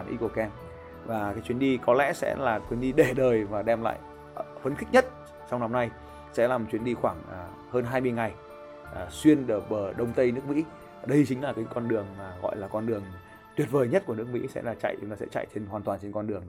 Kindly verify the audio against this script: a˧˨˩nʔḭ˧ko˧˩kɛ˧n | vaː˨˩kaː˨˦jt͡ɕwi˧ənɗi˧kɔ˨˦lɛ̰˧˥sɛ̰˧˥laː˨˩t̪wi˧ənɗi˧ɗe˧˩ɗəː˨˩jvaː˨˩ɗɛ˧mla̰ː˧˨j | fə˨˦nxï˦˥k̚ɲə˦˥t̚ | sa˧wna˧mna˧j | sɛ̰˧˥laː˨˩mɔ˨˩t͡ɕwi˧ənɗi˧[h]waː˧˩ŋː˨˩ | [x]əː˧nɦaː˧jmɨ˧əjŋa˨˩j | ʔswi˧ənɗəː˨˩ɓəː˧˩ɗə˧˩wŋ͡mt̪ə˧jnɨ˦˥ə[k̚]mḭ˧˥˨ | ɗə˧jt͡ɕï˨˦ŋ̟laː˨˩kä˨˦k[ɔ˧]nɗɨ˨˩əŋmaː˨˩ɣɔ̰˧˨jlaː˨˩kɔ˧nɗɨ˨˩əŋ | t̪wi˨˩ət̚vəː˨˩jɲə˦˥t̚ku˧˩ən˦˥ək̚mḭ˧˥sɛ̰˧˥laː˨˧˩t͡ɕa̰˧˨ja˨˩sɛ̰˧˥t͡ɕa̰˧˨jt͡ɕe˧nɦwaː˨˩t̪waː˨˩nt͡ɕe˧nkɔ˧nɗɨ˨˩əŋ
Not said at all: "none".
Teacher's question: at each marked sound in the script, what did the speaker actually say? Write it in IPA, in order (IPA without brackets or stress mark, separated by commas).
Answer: x, h, k̚, ɔ˧